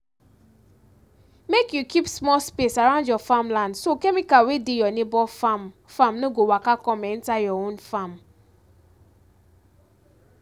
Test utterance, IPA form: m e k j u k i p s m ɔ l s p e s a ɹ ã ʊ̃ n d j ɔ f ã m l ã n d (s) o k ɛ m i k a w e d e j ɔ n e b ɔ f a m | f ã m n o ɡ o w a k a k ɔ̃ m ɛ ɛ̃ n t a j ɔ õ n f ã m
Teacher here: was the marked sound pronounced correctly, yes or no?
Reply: yes